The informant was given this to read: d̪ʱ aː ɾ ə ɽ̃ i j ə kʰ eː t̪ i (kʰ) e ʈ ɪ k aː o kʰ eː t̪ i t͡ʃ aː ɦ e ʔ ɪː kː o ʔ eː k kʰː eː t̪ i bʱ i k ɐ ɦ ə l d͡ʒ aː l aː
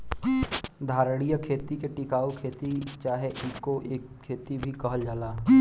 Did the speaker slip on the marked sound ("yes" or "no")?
yes